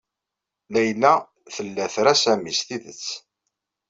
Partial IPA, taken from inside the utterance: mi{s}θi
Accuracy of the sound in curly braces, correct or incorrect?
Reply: correct